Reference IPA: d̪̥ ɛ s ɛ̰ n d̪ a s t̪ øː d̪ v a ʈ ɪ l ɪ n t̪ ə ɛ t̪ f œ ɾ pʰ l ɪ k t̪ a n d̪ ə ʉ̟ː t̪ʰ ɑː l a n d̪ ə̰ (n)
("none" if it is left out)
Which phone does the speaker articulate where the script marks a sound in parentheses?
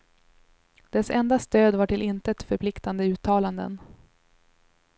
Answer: n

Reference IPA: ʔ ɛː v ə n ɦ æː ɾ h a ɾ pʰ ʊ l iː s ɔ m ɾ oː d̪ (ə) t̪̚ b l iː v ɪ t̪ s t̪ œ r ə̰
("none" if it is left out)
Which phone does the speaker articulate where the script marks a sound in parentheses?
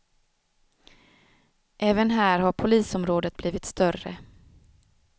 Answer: ə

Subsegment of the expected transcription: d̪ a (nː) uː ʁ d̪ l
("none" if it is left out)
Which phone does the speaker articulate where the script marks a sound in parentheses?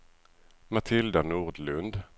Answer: n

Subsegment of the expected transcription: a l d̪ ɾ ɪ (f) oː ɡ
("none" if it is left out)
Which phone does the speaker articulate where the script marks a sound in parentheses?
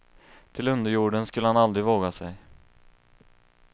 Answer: v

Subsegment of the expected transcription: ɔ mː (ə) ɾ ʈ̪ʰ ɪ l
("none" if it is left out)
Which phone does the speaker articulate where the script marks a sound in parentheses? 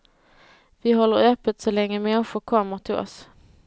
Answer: ə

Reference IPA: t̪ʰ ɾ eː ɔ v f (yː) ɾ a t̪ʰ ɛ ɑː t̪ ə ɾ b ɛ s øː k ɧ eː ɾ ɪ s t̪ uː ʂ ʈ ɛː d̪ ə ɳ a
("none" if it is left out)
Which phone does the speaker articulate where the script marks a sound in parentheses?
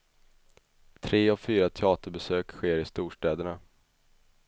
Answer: yː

